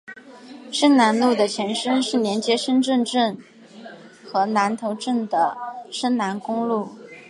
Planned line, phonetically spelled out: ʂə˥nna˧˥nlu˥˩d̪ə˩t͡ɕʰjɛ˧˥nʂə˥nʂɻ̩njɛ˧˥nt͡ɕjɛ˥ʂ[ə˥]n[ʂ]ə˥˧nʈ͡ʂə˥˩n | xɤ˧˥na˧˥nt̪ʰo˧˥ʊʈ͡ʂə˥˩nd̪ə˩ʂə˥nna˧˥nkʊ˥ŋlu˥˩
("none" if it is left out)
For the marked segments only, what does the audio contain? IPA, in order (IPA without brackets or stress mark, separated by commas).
ə˥, ʈ͡ʂ